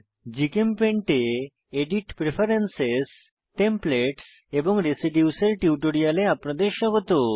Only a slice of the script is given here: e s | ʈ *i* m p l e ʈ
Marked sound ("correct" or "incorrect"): incorrect